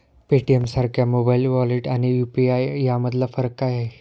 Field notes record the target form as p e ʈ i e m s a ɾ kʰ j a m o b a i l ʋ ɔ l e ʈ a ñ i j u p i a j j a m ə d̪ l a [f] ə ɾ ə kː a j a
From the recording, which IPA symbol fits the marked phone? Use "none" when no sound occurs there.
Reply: f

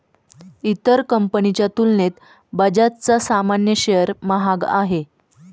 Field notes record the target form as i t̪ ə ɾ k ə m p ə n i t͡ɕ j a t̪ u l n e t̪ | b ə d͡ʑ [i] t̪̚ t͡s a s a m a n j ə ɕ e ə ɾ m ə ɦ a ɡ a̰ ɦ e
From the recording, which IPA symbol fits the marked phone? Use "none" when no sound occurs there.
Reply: a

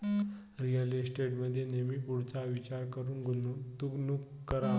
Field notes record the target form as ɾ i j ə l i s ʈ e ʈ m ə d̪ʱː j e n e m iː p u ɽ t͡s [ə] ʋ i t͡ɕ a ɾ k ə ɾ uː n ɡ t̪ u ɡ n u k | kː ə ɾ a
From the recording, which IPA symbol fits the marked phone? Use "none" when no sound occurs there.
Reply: a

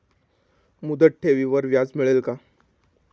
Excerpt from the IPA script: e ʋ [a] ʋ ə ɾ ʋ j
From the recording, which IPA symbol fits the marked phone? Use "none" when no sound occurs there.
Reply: i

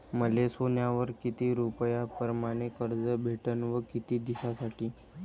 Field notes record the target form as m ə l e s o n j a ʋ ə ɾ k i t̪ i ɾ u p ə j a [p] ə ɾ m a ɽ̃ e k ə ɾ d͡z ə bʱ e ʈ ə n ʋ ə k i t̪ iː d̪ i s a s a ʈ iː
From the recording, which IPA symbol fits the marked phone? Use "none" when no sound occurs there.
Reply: p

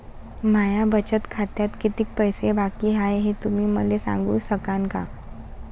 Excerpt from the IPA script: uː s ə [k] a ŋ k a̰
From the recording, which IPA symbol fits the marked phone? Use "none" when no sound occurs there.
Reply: k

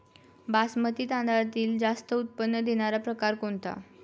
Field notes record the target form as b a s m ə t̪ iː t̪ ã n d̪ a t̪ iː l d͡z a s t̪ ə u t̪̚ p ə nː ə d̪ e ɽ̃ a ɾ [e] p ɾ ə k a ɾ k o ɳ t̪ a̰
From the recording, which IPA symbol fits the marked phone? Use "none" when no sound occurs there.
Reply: a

